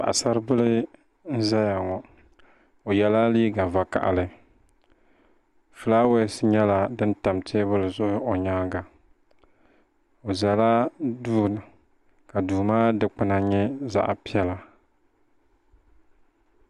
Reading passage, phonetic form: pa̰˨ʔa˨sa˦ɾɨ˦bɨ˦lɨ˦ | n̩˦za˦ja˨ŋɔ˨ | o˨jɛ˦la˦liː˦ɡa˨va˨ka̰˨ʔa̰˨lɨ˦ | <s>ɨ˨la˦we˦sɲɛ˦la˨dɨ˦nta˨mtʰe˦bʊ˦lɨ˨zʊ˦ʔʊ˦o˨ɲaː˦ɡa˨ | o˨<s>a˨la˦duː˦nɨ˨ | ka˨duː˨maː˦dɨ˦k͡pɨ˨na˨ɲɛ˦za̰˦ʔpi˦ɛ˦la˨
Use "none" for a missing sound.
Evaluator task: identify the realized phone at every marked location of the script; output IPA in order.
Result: f, z

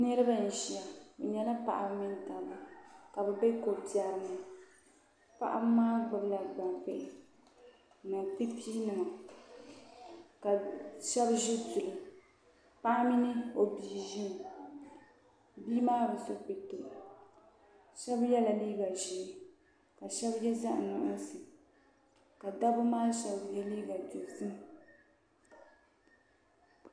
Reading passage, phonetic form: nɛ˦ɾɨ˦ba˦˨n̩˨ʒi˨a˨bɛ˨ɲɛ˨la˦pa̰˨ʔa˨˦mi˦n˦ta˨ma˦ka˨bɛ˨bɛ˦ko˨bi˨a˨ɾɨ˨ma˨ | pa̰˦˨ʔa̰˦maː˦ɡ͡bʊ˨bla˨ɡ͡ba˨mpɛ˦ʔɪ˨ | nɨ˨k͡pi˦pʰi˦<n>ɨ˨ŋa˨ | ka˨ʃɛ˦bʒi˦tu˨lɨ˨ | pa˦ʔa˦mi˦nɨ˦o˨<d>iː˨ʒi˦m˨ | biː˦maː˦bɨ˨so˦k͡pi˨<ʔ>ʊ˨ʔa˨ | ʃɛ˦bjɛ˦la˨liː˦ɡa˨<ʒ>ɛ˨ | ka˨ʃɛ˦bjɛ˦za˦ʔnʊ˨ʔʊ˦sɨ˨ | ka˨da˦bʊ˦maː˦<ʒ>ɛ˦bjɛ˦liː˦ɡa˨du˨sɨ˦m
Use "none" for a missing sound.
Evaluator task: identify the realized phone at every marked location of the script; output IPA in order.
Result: n, b, t, ʒ, ʃ

